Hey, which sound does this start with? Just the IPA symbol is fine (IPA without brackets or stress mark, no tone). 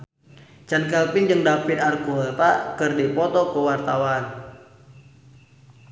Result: t͡ʃ